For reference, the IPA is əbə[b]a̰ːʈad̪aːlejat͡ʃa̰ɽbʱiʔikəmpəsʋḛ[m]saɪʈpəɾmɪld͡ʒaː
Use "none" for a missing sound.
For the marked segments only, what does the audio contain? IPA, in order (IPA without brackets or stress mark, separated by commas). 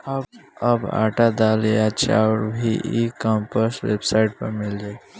b, b